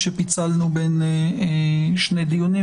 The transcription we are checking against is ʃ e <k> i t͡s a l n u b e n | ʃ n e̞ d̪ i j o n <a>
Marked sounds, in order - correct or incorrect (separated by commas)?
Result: incorrect, incorrect